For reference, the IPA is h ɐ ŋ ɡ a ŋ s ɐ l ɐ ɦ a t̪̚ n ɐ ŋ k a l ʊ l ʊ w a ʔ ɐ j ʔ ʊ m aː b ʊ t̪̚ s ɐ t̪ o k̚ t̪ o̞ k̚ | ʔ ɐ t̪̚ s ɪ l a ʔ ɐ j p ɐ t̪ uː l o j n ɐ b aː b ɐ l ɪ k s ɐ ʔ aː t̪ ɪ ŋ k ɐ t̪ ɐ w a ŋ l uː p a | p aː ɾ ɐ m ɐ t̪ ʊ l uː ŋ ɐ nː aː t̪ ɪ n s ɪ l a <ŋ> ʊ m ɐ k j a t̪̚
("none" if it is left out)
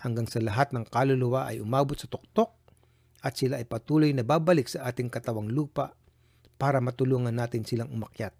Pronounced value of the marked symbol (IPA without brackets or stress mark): ŋ